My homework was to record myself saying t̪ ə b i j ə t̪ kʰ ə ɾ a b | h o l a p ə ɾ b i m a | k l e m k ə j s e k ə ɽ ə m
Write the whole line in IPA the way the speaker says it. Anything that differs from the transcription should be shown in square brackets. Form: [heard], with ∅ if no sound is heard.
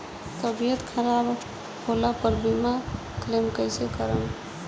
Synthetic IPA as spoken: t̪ ə b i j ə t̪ kʰ ə ɾ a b | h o l a p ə ɾ b i m a | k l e m k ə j s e k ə [ɾ] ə m